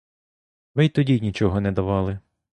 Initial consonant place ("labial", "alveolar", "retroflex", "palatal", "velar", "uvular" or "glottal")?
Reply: labial